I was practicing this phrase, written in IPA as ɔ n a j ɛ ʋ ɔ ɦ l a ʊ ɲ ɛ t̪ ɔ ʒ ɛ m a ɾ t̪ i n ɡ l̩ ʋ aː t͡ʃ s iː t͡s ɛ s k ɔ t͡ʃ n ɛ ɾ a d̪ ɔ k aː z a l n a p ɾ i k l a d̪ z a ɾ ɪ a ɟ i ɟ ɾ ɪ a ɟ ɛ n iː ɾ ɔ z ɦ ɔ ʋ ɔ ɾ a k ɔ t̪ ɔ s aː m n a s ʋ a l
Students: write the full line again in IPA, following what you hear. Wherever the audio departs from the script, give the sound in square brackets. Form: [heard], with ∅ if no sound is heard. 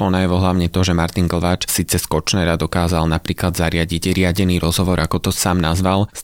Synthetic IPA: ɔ n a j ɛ ʋ ɔ ɦ l a ʊ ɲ ɛ t̪ ɔ ʒ ɛ m a ɾ t̪ i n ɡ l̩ ʋ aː t͡ʃ s iː t͡s ɛ s k ɔ t͡ʃ n ɛ ɾ a d̪ ɔ k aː z a l n a p ɾ [iː] k l a d̪ z a ɾ ɪ a ɟ i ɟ ɾ ɪ a ɟ ɛ n iː ɾ ɔ z ɦ ɔ ʋ ɔ ɾ a k ɔ t̪ ɔ s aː m n a [z] ʋ a l